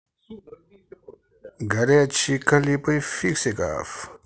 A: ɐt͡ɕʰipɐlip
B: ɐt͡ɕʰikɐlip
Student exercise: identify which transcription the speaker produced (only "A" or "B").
B